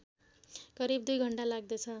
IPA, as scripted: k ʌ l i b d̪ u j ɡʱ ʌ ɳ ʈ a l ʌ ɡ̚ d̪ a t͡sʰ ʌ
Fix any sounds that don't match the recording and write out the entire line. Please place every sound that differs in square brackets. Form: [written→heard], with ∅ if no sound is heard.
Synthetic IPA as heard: k ʌ [l→ɾ] i b d̪ u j ɡʱ ʌ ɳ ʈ a l [ʌ→a] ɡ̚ d̪ [a→ʌ] t͡sʰ ʌ